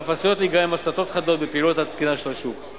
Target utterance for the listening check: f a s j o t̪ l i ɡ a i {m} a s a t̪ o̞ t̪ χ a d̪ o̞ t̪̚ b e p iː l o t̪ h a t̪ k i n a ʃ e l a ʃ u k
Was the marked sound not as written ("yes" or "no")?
no